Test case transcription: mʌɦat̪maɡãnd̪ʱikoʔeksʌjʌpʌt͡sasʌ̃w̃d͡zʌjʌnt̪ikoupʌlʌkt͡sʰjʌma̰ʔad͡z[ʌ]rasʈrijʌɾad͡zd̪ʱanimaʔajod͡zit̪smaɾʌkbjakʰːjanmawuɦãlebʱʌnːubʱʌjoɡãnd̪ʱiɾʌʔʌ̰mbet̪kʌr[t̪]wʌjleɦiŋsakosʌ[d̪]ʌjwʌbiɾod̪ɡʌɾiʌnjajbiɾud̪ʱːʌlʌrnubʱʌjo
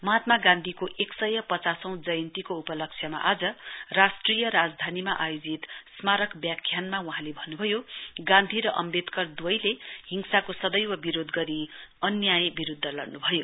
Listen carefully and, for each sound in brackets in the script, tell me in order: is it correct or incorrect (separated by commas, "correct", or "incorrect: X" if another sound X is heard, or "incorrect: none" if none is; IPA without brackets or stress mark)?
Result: correct, incorrect: d̪, correct